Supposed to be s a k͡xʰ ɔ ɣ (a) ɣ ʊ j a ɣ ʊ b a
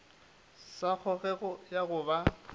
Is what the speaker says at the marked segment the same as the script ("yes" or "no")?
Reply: no